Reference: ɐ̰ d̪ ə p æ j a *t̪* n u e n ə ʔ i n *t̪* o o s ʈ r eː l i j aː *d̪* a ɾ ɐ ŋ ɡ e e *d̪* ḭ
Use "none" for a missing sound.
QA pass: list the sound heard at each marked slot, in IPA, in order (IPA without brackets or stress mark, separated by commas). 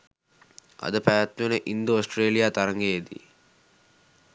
t̪, d̪, t̪, d̪